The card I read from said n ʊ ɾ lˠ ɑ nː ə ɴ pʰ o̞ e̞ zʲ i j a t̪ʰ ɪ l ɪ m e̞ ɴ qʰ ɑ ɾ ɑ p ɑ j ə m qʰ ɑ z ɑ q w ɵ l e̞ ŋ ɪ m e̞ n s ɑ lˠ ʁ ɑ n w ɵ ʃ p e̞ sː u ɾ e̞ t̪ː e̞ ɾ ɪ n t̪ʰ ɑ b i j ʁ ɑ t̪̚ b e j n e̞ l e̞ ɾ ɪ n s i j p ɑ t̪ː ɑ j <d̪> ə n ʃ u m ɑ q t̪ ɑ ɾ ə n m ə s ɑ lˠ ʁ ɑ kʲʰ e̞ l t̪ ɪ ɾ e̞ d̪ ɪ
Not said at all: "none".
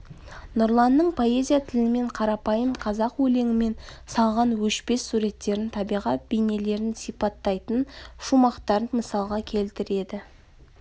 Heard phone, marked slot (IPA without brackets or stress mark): t̪